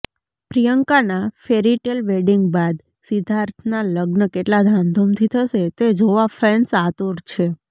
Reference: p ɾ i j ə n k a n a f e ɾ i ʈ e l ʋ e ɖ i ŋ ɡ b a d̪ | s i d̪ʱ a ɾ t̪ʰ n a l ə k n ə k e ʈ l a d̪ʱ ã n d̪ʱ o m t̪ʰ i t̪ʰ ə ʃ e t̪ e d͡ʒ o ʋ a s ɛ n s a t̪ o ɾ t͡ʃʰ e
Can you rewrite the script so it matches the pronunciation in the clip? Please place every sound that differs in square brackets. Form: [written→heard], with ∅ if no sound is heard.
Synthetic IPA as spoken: p ɾ i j ə [n→ŋ] k a n a f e ɾ i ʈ e l ʋ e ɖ i ŋ ɡ b a d̪ | s i d̪ʱ a ɾ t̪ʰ n a l ə [k→ɡ] n ə k e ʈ l a d̪ʱ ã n d̪ʱ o m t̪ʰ i t̪ʰ ə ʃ e t̪ e d͡ʒ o ʋ a [s→f] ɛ n s a t̪ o ɾ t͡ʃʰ e